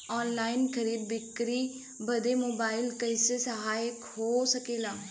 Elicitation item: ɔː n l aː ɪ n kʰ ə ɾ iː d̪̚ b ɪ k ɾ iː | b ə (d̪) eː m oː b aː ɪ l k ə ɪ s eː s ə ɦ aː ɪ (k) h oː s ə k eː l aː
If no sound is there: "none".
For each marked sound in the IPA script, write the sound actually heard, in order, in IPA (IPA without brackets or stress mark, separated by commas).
d̪, k